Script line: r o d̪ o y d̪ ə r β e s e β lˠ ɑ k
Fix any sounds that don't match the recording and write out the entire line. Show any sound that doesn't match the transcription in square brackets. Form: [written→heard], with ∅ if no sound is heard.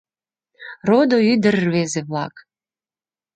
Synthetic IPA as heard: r o d̪ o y d̪ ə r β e [s→z] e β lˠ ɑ k